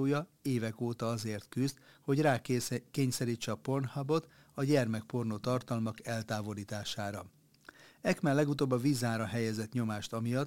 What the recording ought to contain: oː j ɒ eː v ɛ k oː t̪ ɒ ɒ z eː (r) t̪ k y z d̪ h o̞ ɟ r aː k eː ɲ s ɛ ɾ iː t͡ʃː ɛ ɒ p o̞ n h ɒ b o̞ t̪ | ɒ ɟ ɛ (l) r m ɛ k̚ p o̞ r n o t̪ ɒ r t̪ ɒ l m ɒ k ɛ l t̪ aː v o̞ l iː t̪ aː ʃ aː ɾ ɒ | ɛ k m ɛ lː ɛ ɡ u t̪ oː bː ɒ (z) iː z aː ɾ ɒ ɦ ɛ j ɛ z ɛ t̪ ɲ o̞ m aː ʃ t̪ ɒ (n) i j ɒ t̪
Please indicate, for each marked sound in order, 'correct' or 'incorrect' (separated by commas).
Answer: correct, incorrect, incorrect, incorrect